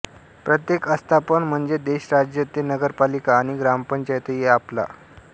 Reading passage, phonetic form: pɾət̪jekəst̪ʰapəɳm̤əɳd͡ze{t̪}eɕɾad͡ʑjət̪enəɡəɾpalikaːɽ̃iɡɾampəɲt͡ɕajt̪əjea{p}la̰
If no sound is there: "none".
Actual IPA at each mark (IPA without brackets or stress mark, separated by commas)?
d̪, p